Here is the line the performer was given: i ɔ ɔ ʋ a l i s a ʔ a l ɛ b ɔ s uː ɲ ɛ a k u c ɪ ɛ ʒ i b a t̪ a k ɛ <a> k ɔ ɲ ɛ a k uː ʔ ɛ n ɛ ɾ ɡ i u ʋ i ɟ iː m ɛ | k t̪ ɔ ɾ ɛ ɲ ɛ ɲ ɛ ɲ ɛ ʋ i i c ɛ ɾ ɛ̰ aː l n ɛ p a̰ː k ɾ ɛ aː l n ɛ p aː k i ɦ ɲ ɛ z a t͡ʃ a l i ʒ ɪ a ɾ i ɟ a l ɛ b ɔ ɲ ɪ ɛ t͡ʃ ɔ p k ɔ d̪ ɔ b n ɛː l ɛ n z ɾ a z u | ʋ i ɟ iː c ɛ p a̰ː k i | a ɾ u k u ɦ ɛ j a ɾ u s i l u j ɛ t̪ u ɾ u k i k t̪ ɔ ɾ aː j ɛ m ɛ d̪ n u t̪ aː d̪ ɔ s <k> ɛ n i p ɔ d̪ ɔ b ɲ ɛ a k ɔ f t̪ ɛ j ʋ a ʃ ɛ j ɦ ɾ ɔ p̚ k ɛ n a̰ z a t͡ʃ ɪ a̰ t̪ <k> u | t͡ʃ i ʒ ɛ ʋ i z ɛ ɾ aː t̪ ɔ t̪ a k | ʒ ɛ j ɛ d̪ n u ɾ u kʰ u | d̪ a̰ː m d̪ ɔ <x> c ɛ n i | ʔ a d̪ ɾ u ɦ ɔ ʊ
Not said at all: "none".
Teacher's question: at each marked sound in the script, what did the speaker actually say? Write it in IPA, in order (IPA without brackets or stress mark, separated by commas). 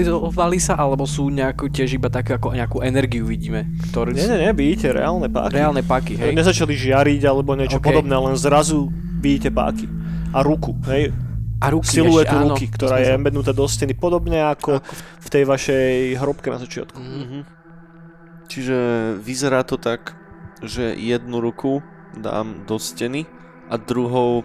a, c, k, s